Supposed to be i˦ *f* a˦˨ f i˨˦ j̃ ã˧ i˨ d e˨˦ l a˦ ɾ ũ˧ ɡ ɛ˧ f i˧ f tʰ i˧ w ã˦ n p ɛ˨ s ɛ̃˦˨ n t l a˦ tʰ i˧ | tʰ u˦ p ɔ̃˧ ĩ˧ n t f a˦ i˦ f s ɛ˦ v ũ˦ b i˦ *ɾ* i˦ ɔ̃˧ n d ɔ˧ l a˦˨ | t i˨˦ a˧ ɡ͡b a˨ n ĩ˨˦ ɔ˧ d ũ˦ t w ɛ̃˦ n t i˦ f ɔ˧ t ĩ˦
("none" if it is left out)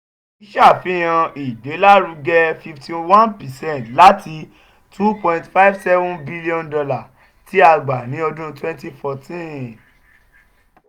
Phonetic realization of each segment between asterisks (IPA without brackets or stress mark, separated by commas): ʃ, l